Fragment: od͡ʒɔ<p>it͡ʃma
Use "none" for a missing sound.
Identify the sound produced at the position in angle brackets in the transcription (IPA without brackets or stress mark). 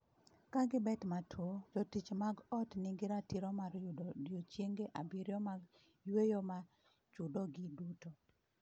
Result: t